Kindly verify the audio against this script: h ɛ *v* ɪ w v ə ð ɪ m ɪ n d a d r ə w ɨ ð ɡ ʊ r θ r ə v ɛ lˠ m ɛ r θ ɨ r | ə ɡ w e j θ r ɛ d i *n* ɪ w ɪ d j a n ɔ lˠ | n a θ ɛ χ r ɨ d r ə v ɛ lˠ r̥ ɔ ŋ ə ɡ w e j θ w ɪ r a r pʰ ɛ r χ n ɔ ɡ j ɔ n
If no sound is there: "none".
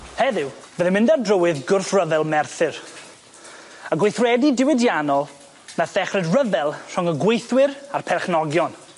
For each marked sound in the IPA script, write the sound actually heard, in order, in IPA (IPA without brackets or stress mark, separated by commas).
ð, d